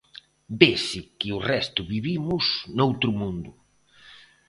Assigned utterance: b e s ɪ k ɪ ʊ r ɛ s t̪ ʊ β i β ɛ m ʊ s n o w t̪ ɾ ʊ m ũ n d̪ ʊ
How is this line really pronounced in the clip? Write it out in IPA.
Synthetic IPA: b e s ɪ k ɪ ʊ r ɛ s t̪ ʊ β i β i m ʊ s n o w t̪ ɾ ʊ m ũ n d̪ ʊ